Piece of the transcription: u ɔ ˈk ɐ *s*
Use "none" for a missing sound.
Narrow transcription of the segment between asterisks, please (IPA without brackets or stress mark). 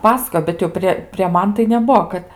t